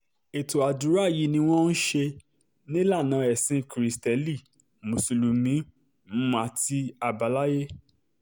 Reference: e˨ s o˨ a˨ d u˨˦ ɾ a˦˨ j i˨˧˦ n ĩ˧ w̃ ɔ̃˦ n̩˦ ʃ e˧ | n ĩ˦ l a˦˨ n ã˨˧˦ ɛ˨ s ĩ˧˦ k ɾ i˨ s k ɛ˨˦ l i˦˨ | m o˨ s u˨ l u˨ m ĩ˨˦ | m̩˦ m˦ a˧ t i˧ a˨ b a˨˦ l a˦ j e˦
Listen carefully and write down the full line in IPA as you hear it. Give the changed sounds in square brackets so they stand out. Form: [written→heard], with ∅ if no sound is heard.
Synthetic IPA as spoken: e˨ [s→t] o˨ a˨ d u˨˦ ɾ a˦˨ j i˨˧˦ n ĩ˧ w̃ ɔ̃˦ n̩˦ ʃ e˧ | n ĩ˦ l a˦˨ n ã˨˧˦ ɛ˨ s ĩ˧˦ k ɾ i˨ s [k→t] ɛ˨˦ l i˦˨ | m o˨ s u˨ l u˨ m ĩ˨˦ | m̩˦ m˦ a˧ t i˧ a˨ b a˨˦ l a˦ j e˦

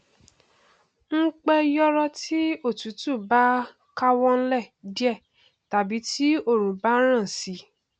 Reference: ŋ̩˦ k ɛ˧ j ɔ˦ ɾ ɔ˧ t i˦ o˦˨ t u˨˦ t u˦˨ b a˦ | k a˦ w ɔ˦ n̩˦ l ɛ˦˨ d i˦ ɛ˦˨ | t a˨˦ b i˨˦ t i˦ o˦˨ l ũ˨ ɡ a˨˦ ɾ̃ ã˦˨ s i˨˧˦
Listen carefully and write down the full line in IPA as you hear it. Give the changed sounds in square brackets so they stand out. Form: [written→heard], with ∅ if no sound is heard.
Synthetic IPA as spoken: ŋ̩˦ [k→k͡p] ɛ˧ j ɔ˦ ɾ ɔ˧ t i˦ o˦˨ t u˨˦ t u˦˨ b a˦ | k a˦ w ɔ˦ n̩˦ l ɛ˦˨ d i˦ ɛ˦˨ | t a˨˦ b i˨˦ t i˦ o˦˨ [l→ɾ] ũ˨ [ɡ→b] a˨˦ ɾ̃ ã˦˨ s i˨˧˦

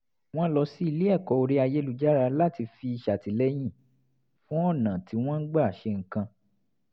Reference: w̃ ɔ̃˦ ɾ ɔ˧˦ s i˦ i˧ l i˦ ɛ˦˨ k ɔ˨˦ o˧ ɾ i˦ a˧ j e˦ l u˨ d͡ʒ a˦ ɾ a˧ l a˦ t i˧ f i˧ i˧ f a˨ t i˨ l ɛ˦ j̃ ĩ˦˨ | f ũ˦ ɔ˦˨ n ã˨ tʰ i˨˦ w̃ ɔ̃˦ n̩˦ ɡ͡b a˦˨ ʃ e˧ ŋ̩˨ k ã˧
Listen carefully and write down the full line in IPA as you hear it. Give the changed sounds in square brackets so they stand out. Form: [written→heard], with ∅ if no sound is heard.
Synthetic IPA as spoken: w̃ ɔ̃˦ [ɾ→l] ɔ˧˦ s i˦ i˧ l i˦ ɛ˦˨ k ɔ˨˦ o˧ ɾ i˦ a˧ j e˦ l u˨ d͡ʒ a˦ ɾ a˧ l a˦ t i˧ f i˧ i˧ [f→ʃ] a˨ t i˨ l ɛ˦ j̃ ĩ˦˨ | f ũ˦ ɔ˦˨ n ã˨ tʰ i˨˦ w̃ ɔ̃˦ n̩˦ ɡ͡b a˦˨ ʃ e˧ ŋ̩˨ k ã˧

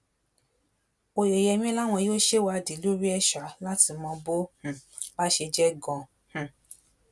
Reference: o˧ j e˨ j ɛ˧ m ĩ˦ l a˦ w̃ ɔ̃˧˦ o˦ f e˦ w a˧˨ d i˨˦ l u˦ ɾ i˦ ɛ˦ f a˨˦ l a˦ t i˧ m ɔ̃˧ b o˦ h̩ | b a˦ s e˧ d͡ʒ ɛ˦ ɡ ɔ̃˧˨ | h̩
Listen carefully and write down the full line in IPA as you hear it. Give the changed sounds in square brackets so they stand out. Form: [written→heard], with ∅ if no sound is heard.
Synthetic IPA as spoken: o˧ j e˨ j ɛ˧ m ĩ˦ l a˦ w̃ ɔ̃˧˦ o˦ [f→ʃ] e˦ w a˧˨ d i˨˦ l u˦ ɾ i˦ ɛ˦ [f→ʃ] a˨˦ l a˦ t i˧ m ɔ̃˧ b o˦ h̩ | b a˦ [s→ʃ] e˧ d͡ʒ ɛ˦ ɡ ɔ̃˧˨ | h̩

